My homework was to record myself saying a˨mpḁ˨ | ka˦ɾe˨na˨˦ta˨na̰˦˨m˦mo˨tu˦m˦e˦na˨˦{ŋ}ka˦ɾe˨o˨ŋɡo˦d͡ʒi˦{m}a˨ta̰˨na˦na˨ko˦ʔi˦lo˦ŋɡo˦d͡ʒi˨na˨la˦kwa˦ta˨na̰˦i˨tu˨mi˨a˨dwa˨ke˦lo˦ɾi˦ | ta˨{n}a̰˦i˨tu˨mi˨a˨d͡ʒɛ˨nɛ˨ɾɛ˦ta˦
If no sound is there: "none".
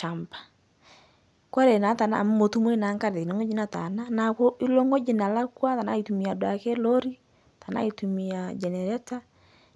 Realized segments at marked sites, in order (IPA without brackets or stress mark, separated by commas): ŋ, n, n